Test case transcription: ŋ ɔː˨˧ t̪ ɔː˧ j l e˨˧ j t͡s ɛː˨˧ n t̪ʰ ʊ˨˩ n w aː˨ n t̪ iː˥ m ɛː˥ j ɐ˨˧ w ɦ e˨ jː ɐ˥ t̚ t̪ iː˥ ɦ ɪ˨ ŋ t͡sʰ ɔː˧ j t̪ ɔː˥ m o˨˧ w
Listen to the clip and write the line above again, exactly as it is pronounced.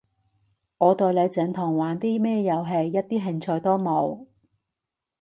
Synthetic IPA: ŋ ɔː˨˧ t̪ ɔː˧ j l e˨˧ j t͡s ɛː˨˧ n t̪ʰ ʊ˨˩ ŋ w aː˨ n t̪ iː˥ m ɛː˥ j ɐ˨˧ w ɦ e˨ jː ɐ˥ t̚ t̪ iː˥ ɦ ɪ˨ ŋ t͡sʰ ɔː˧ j t̪ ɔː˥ m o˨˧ w